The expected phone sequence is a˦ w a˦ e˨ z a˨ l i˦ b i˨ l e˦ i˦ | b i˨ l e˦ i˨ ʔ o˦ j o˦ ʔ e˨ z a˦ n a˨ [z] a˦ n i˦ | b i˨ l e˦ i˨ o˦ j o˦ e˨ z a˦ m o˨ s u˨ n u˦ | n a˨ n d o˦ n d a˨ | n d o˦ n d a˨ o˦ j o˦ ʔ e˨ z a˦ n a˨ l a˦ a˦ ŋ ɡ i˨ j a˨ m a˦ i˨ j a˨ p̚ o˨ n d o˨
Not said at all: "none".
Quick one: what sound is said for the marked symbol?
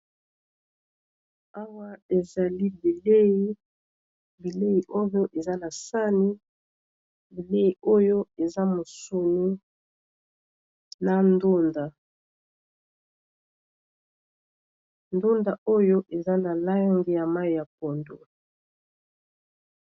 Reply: s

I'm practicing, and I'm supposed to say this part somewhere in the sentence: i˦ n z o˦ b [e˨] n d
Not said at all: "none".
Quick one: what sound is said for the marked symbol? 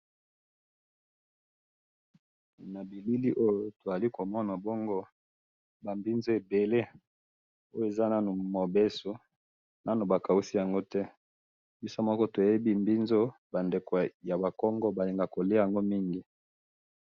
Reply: a˨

